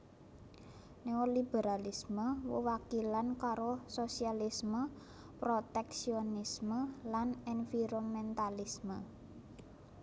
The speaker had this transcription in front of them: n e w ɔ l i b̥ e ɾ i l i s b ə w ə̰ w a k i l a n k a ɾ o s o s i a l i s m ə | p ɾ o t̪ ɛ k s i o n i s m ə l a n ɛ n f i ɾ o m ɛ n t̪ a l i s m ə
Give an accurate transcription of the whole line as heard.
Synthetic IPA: n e w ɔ l i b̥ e ɾ a l i s m ə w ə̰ w a k i l a n k a ɾ o s o s i a l i s m ə | p ɾ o t̪ ɛ k s i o n i s m ə l a n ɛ n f i ɾ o m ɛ n t̪ a l i s m ə